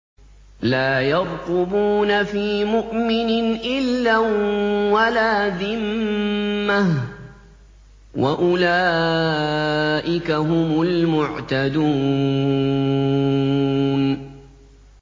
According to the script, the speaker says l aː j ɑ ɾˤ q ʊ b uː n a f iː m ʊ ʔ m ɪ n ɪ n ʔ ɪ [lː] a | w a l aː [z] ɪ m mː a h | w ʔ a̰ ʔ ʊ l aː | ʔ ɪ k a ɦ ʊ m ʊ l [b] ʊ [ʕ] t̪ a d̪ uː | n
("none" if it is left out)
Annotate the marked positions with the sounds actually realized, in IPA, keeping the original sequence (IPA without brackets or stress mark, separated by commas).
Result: lː, ð, m, ʕ